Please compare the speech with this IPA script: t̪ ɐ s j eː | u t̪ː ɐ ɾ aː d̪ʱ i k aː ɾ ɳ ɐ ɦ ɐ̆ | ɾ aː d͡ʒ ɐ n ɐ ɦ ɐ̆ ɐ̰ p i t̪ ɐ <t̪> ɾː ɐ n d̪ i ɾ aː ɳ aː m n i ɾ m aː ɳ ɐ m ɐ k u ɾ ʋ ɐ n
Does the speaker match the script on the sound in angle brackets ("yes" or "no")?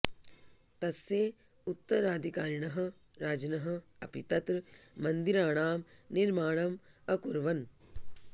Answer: yes